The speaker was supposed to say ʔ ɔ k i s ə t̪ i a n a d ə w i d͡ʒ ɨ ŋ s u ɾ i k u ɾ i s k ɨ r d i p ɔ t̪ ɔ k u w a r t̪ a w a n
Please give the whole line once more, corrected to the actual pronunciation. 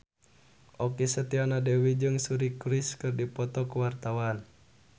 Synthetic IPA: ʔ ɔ k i s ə t̪ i a n a d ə w i d͡ʒ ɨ ŋ s u ɾ i k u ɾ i s k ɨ r d i p ɔ t̪ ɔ k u w a r t̪ a w a n

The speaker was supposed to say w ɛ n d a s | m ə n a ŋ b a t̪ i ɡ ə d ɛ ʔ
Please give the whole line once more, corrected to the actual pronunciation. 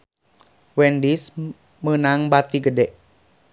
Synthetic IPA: w ɛ n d i s | m ə n a ŋ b a t̪ i ɡ ə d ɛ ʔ

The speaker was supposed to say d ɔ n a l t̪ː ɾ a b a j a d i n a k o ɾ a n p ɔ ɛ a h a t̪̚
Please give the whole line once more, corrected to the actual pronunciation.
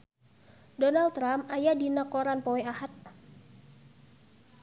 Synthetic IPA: d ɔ n a l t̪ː ɾ a m a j a d i n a k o ɾ a n p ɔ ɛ a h a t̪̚

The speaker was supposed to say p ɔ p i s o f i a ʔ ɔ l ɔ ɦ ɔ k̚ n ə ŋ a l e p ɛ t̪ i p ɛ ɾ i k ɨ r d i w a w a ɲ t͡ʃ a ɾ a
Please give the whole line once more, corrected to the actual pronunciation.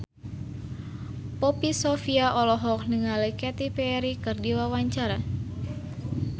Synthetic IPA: p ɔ p i s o f i a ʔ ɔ l ɔ ɦ ɔ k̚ n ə ŋ a l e k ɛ t̪ i p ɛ ɾ i k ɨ r d i w a w a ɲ t͡ʃ a ɾ a

